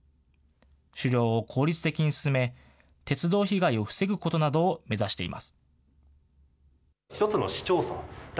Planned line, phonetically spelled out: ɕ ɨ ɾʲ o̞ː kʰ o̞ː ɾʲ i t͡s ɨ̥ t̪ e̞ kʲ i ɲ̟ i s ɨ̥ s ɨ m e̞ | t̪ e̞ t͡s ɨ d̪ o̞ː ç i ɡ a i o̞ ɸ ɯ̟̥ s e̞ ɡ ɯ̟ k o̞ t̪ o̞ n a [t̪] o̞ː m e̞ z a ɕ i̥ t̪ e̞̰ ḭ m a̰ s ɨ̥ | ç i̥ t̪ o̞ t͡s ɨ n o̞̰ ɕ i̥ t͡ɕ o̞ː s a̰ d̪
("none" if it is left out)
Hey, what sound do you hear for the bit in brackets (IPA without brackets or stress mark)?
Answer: d̪